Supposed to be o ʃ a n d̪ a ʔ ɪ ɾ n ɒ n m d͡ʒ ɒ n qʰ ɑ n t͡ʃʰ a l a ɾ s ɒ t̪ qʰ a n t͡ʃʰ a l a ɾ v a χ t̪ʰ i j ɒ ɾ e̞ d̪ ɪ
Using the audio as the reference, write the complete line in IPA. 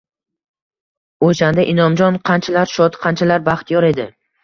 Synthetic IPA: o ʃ a n d̪ a ʔ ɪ n ɒ m d͡ʒ ɒ n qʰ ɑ n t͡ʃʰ a l a ɾ ʃ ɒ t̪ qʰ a n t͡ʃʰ a l a ɾ b a χ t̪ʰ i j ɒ ɾ e̞ d̪ ɪ